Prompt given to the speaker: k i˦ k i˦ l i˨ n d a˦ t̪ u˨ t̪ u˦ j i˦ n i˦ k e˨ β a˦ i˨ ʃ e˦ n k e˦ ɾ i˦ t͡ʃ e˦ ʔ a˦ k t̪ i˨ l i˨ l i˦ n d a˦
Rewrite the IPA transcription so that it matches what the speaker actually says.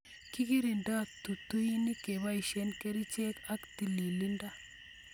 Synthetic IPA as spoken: k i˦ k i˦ ɾ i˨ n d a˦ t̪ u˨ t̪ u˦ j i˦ n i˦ k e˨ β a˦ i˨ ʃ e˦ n k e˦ ɾ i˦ t͡ʃ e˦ k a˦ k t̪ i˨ l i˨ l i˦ n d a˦

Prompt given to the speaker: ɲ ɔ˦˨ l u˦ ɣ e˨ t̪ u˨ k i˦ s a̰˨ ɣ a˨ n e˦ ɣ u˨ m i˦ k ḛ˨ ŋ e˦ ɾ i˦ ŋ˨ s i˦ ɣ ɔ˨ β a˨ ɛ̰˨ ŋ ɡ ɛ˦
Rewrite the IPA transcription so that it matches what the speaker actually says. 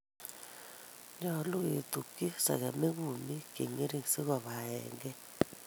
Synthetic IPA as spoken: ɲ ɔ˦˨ l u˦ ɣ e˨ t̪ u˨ k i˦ s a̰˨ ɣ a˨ m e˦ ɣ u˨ m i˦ k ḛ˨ ŋ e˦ ɾ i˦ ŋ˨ s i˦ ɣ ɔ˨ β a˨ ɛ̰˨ ŋ ɡ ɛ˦

